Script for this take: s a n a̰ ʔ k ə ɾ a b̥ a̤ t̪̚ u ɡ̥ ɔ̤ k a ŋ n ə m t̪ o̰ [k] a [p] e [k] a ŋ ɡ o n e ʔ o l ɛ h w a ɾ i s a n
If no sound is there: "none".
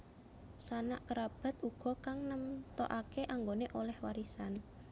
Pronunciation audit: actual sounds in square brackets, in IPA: ʔ, k, ʔ

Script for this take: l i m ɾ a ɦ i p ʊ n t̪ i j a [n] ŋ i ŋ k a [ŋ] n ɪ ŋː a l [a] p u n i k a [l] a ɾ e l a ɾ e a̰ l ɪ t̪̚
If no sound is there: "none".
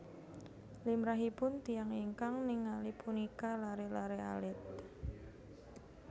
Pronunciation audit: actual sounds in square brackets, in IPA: none, ŋ, i, l

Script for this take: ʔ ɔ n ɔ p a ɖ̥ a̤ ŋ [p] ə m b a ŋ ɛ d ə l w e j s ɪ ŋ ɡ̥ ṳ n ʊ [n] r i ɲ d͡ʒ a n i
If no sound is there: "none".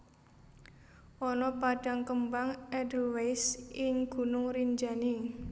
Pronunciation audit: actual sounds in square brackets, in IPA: k, ŋ

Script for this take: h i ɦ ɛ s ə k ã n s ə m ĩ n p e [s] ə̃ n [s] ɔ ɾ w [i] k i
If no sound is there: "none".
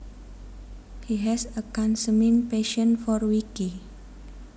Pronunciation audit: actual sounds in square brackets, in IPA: ʃ, f, i

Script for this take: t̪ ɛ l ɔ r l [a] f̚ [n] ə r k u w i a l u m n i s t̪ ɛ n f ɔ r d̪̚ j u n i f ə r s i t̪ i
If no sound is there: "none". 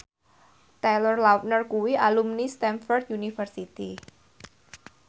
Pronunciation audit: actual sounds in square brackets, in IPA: a, n

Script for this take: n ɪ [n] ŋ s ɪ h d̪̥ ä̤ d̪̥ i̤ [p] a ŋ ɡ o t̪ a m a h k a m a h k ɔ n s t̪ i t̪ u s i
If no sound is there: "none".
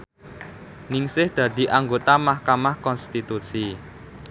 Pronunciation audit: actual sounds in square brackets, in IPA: none, ʔ

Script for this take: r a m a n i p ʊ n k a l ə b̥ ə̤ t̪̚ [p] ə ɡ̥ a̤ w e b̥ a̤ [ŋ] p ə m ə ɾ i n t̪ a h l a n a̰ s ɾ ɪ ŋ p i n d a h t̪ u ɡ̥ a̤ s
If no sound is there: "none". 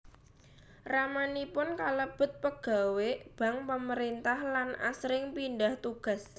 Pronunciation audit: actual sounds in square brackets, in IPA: p, ŋ

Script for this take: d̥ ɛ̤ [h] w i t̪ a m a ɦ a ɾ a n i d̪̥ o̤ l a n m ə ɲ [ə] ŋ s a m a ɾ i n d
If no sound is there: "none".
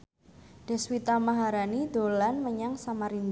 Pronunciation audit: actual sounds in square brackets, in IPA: s, a

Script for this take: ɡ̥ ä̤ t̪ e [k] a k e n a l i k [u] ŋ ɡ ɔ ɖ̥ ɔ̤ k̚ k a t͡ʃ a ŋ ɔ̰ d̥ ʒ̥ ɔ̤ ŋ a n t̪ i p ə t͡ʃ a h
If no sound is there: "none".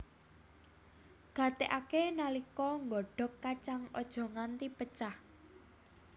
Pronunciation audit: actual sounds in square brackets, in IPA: ʔ, ɔ

